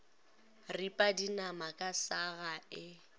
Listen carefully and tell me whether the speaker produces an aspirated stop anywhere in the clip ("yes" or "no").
no